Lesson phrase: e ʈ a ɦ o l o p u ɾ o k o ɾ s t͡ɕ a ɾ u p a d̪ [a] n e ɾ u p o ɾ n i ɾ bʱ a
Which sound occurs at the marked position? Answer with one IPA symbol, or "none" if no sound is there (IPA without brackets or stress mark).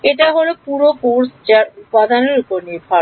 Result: a